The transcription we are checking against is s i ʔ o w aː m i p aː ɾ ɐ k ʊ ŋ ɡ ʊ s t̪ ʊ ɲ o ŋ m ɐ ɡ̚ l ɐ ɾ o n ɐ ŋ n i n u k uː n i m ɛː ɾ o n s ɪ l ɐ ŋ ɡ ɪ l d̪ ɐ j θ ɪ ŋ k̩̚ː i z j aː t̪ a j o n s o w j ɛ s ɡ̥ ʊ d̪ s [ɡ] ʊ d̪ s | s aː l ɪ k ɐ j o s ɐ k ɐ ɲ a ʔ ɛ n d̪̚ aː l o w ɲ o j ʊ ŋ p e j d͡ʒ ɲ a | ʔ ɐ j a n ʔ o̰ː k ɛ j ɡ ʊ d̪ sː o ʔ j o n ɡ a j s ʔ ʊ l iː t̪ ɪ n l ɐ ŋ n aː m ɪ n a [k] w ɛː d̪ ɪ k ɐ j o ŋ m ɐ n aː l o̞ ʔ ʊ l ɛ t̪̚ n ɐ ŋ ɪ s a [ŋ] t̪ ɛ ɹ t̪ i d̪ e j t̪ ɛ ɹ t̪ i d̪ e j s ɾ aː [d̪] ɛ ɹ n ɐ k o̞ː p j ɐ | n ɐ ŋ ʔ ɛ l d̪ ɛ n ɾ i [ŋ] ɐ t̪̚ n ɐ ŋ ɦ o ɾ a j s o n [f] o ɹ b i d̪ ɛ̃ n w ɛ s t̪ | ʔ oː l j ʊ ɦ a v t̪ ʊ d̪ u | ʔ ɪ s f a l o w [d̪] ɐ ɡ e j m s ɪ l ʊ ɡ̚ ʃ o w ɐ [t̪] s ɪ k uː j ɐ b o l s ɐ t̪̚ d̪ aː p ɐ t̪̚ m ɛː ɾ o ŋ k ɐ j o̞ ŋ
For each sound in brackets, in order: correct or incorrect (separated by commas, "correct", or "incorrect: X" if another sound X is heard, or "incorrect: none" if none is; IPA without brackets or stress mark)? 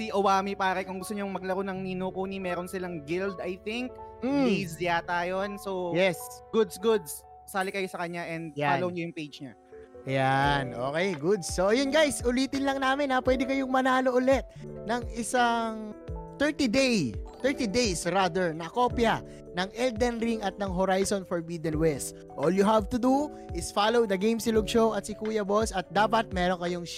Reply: correct, incorrect: p, correct, correct, correct, correct, correct, correct